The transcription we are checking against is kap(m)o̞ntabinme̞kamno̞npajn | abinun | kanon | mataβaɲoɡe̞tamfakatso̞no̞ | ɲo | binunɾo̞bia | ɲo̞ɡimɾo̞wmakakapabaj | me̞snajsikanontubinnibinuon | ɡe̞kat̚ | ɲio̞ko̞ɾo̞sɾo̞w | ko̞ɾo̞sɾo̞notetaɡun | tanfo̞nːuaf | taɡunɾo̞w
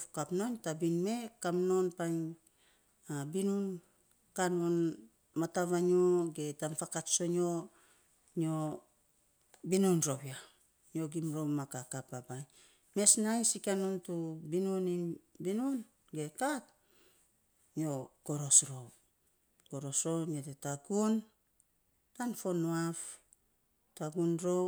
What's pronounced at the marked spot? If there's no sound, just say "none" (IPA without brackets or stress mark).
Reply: n